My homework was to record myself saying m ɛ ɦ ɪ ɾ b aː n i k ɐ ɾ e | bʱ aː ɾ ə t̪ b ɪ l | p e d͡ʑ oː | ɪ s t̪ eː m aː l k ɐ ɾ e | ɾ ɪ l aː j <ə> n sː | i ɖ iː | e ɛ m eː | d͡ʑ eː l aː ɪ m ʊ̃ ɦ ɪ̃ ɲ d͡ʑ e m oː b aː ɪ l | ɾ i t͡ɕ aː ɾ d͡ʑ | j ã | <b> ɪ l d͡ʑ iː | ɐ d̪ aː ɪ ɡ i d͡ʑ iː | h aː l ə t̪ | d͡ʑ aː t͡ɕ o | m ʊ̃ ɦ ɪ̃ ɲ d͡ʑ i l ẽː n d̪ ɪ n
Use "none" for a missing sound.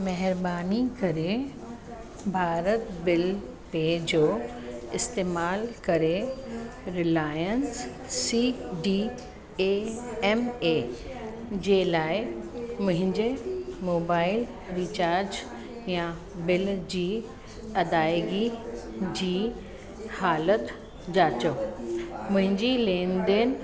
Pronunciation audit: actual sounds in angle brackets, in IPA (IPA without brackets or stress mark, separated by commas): ə, b